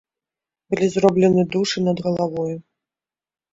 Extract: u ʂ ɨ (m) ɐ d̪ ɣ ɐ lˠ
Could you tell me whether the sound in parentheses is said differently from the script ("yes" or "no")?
yes